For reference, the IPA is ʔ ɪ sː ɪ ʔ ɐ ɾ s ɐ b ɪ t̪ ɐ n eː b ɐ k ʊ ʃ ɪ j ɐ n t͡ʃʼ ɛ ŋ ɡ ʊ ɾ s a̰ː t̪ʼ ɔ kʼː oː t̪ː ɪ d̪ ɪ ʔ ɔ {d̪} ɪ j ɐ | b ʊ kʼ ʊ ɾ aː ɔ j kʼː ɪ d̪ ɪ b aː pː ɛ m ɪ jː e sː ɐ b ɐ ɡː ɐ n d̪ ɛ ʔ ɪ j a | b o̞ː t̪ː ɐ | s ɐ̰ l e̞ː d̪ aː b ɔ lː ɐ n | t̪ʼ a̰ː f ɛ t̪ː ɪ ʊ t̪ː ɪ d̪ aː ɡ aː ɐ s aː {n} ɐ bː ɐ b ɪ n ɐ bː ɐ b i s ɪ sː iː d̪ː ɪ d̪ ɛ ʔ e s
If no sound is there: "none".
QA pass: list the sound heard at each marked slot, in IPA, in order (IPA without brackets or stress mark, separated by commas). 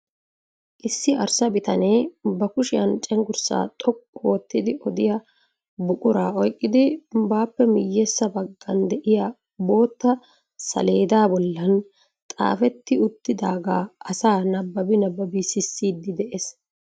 d̪, n